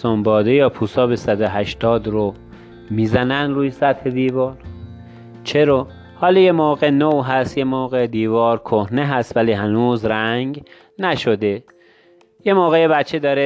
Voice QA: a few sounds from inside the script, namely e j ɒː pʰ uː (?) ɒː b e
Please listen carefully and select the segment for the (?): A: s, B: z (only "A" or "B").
A